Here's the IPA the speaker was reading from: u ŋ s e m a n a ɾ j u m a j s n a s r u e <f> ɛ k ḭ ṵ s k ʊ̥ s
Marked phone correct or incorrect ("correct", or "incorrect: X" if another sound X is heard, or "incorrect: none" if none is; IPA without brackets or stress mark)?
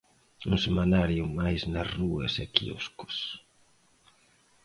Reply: incorrect: s